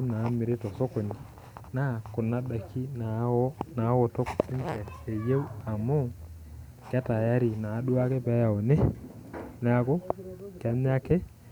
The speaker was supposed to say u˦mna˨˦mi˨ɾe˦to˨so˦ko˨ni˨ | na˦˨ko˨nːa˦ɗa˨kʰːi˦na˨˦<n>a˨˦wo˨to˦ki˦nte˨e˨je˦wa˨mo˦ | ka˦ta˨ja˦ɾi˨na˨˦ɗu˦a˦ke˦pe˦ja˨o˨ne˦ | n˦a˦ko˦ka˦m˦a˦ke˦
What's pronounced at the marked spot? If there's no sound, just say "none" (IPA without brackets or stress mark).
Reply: n